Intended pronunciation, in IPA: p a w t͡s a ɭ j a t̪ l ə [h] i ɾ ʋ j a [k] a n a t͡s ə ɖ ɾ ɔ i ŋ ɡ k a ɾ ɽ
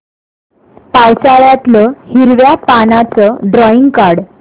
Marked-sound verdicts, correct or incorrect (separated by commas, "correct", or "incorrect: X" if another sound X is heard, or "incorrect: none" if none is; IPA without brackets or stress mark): correct, incorrect: p